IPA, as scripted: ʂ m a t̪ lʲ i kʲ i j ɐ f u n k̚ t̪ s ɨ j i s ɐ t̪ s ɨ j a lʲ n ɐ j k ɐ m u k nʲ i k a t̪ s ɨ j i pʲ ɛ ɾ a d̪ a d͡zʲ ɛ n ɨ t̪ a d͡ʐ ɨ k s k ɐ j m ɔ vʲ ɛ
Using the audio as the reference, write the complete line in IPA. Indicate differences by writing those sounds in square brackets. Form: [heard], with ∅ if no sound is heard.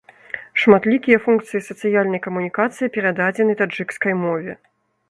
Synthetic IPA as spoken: ʂ m a t̪ lʲ i kʲ i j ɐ f u n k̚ t̪ s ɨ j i s ɐ t̪ s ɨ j a lʲ n ɐ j k ɐ m u [∅] nʲ i k a t̪ s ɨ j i pʲ ɛ ɾ a d̪ a d͡zʲ ɛ n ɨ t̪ a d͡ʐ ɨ k s k ɐ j m ɔ vʲ ɛ